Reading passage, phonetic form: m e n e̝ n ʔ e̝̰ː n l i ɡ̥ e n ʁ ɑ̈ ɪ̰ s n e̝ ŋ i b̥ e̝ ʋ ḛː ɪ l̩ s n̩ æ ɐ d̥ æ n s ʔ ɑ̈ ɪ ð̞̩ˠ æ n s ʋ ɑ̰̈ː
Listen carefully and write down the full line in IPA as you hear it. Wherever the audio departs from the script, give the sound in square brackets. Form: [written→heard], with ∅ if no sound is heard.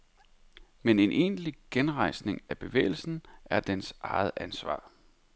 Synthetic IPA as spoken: m e n e̝ n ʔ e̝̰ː n l i ɡ̥ e n ʁ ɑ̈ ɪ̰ s n e̝ ŋ [i→æ] b̥ e̝ ʋ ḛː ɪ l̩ s n̩ æ ɐ d̥ [æ→e] n s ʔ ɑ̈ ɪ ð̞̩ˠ æ n s ʋ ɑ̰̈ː